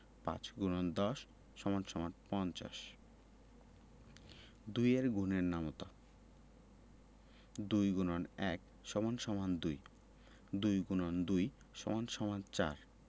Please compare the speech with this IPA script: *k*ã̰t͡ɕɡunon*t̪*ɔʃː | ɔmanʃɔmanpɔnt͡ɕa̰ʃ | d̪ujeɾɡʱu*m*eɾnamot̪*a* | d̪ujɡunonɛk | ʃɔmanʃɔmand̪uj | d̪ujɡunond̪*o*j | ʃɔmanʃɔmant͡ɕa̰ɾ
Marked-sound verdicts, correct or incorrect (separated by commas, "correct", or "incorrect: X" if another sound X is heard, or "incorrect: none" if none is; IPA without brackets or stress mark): incorrect: p, incorrect: d̪, incorrect: n, correct, incorrect: u